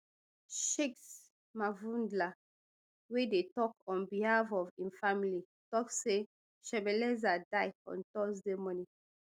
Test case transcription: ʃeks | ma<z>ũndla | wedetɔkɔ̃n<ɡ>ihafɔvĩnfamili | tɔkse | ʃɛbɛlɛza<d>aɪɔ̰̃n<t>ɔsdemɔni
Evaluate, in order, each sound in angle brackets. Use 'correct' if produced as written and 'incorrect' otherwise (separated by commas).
incorrect, incorrect, correct, correct